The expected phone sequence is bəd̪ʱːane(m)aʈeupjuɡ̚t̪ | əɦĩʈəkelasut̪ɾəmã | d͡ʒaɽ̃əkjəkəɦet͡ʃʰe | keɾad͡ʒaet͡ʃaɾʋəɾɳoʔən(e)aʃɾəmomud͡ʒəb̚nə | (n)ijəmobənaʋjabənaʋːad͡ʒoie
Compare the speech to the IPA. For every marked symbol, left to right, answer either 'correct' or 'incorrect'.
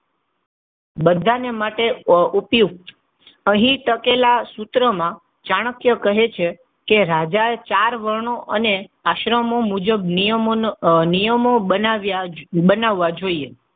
correct, correct, correct

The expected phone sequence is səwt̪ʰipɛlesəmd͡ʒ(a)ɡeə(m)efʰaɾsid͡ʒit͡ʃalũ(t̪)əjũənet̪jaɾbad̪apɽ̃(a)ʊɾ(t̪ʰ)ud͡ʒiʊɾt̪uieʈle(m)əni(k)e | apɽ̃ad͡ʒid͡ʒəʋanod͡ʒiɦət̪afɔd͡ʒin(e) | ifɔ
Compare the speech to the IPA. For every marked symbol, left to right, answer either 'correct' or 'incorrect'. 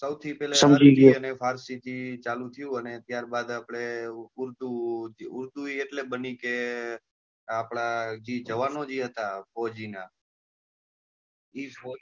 incorrect: i, incorrect: n, incorrect: t̪ʰ, incorrect: e, incorrect: t̪, incorrect: b, correct, incorrect: a

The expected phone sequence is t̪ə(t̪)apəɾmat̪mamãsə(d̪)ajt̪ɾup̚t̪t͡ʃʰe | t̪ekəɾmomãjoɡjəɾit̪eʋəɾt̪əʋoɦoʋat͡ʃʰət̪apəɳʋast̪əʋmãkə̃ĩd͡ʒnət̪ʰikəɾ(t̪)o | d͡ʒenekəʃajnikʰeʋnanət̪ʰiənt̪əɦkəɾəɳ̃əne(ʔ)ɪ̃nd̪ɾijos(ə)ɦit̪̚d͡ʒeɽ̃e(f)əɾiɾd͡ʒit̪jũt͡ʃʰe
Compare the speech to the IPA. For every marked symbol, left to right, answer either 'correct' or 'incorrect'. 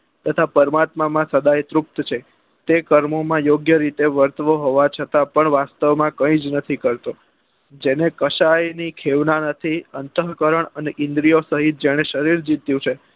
incorrect: t̪ʰ, correct, correct, correct, correct, incorrect: ʃ

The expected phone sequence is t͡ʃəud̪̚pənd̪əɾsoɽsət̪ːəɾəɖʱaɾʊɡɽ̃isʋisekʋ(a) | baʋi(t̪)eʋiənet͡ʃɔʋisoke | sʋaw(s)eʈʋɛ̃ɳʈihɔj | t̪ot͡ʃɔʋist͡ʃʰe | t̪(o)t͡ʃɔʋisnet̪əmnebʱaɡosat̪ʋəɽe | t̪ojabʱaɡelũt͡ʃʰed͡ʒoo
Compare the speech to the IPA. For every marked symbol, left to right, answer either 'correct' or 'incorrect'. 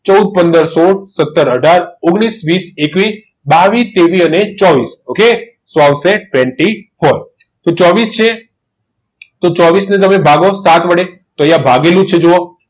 incorrect: i, correct, correct, correct

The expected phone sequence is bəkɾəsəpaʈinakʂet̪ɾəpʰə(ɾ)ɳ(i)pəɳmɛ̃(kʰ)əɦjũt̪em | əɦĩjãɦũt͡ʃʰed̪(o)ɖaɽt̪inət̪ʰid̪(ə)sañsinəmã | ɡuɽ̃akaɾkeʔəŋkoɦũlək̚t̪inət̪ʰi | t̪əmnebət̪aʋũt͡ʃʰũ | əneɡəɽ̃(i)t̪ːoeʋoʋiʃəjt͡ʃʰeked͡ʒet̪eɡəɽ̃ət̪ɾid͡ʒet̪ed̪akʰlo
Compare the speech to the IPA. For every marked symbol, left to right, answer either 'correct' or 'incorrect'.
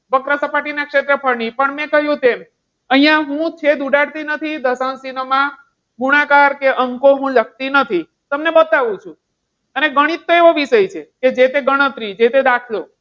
correct, correct, incorrect: k, incorrect: u, correct, correct

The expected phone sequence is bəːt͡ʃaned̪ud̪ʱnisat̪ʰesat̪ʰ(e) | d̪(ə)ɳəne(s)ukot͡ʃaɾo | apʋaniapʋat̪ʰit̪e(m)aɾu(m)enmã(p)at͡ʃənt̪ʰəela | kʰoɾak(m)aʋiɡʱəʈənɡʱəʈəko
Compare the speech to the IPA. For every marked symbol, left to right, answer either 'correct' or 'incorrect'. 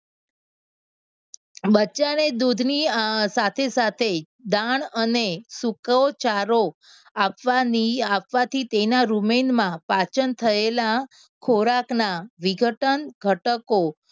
correct, incorrect: a, correct, incorrect: n, correct, correct, incorrect: n

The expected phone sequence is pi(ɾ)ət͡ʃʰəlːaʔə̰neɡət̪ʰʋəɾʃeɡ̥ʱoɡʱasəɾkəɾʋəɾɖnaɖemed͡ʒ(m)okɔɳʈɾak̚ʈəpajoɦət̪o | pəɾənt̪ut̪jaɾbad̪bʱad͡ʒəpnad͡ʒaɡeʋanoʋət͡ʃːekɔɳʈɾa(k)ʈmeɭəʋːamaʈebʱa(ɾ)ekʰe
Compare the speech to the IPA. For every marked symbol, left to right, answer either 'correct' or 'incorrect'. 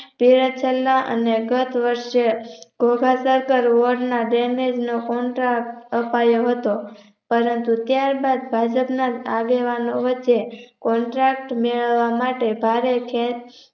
correct, incorrect: n, correct, correct

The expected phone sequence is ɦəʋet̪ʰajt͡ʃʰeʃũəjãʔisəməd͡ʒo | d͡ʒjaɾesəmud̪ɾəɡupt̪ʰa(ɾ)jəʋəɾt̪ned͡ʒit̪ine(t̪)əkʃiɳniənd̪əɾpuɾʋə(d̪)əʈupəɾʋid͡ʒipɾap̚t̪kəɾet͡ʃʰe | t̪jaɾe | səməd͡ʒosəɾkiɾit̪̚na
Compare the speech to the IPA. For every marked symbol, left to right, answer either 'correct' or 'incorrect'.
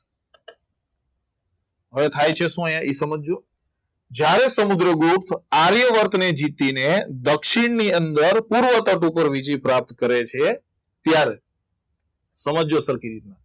correct, incorrect: d̪, incorrect: t̪

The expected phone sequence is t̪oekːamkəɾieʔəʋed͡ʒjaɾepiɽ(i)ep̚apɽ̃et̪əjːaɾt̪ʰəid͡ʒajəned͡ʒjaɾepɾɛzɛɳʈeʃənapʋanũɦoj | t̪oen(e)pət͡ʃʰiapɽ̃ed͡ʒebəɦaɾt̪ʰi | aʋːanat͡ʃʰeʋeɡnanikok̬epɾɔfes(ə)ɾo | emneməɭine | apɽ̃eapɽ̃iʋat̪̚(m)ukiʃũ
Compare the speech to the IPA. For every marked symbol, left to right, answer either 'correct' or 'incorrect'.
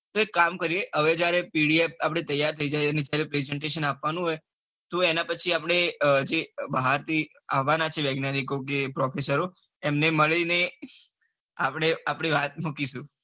correct, incorrect: a, correct, correct

